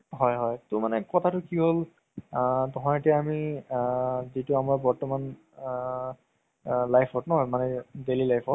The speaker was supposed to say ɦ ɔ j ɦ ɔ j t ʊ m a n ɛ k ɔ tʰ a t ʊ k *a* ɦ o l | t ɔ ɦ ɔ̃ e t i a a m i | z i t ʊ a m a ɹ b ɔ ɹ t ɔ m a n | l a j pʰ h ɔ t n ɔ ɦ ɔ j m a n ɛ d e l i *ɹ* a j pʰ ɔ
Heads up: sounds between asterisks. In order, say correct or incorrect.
incorrect: i, incorrect: l

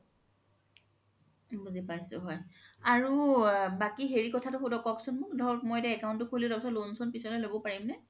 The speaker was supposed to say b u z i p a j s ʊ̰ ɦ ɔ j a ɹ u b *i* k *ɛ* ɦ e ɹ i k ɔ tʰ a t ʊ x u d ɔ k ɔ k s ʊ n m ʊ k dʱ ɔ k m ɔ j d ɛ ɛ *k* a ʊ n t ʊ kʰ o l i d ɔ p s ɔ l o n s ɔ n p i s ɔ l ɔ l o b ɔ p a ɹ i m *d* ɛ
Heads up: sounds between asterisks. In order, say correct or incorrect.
incorrect: a, incorrect: i, correct, incorrect: n

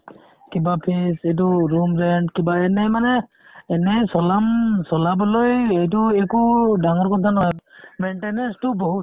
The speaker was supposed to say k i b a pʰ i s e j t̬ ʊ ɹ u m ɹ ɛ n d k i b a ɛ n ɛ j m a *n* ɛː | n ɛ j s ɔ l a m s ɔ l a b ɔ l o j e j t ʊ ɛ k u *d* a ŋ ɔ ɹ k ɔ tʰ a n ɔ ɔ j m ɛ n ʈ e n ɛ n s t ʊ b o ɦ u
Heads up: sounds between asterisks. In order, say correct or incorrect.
correct, correct

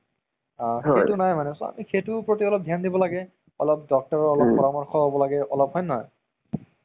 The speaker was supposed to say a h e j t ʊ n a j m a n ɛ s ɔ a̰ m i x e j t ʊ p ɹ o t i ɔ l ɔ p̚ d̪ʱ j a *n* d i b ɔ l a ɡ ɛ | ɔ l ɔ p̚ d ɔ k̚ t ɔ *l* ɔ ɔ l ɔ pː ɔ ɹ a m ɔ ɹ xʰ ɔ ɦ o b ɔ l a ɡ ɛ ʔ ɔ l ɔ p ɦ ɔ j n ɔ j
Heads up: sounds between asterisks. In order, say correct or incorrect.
correct, incorrect: ɹ

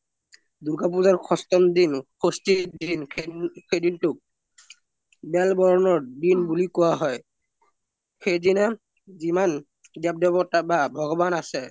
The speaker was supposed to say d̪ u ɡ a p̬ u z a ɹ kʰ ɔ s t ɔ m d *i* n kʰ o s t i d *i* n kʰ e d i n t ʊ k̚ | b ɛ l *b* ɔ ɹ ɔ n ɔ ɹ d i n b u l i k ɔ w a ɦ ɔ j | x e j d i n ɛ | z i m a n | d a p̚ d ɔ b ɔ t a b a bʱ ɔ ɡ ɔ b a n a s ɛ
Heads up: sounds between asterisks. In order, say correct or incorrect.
correct, correct, correct

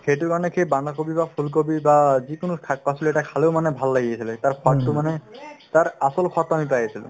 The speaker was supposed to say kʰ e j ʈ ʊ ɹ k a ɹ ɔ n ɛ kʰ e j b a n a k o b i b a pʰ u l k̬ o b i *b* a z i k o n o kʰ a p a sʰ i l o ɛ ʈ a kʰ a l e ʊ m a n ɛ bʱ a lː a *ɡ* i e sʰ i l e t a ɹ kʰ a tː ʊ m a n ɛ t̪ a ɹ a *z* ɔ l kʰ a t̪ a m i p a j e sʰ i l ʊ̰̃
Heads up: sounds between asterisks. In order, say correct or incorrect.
correct, correct, incorrect: s

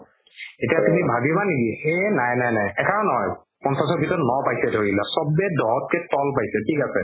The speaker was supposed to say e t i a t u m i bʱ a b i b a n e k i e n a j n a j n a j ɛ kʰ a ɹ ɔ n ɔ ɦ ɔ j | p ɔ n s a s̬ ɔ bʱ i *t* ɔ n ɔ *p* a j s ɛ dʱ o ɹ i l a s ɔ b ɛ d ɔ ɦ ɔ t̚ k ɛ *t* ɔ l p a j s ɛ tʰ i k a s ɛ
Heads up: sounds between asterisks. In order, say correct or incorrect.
correct, correct, correct

